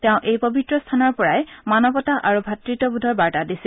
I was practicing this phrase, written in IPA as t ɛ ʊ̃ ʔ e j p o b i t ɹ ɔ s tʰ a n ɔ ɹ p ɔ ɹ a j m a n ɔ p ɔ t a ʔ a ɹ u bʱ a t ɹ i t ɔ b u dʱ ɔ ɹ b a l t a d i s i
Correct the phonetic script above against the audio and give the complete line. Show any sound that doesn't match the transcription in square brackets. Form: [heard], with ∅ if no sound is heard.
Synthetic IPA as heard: t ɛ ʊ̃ ʔ e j p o b i t ɹ ɔ s tʰ a n ɔ ɹ p ɔ ɹ a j m a n ɔ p ɔ t a ʔ a ɹ u bʱ a t ɹ i t ɔ b u dʱ ɔ ɹ b a [ɹ] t a d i s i